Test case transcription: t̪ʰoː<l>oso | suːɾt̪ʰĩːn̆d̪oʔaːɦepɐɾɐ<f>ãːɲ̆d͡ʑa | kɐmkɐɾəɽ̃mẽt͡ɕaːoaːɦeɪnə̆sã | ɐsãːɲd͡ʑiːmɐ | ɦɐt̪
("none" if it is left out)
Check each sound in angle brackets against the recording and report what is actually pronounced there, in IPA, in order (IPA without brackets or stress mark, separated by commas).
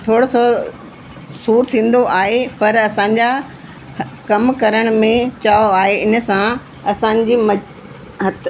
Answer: ɽ, s